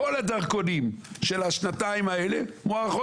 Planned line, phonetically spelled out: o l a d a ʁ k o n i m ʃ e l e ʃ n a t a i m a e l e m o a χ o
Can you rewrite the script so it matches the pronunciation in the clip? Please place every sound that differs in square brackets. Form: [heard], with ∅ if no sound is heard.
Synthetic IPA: o l a d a ʁ k o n i m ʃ e l [a] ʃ n a t a i m a e l e m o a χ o